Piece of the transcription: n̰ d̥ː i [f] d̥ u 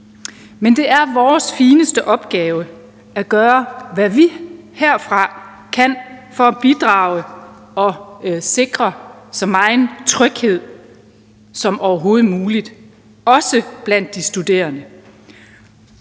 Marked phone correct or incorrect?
incorrect